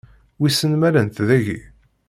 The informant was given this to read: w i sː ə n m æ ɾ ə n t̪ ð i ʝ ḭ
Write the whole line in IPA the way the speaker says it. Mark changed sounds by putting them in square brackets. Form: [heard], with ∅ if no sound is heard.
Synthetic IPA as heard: w i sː ə n m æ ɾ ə n t̪ ð [æ] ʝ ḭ